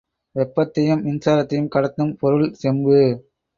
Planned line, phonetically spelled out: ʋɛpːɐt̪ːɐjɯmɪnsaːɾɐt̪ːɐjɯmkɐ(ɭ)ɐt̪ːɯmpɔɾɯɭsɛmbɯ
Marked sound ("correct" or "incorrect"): incorrect